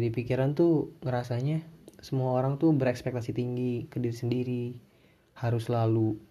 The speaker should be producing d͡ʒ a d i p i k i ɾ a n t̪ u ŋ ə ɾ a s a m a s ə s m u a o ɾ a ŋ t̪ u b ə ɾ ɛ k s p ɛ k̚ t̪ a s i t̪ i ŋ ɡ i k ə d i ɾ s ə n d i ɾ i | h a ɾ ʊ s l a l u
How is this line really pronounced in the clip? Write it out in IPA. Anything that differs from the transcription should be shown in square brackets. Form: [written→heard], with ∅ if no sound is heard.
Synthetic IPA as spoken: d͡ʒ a d i p i k i ɾ a n t̪ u ŋ ə ɾ a s a [m→ɲ] a s ə [s→∅] m u a o ɾ a ŋ t̪ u b ə ɾ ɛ k s p ɛ k̚ t̪ a s i t̪ i ŋ ɡ i k ə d i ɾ s ə n d i ɾ i | h a ɾ ʊ s l a l u